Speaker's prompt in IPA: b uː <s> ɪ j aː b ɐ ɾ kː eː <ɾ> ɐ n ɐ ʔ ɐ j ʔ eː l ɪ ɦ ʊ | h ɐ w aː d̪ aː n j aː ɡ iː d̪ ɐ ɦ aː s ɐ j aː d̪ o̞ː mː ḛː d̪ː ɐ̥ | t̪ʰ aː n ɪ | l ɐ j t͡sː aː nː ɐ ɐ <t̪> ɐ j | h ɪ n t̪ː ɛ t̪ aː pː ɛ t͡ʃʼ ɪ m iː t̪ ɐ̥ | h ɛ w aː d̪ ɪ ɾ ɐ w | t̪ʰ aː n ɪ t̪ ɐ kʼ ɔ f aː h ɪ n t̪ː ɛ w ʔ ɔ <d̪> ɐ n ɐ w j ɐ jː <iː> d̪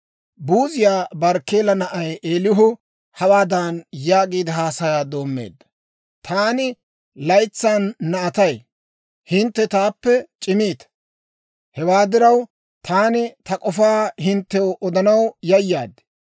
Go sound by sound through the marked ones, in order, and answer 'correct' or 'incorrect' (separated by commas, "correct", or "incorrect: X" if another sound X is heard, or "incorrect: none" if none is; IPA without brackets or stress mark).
incorrect: z, incorrect: l, correct, correct, incorrect: aː